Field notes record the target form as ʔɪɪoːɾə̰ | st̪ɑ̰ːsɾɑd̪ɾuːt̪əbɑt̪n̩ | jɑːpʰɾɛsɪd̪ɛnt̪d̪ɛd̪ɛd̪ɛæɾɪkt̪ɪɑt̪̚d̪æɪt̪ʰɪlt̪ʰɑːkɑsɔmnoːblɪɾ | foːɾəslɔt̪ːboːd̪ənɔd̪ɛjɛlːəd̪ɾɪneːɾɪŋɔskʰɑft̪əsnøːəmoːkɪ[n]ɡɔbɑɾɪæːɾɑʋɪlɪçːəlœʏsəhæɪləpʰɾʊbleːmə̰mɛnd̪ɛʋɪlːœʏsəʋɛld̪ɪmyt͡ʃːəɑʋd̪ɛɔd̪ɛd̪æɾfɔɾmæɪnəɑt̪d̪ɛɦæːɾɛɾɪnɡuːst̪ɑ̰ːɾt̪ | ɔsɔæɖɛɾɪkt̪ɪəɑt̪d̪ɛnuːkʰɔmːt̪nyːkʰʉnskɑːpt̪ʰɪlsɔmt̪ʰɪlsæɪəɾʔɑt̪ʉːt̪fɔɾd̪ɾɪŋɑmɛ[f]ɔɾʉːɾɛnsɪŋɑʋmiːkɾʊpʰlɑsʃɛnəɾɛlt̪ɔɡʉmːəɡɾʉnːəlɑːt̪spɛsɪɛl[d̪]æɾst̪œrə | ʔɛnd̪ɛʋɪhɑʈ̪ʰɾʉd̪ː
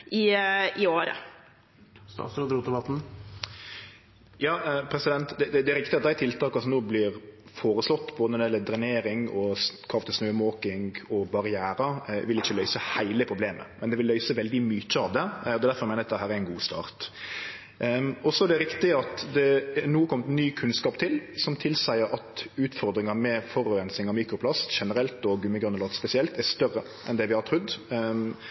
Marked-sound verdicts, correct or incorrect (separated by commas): incorrect, correct, incorrect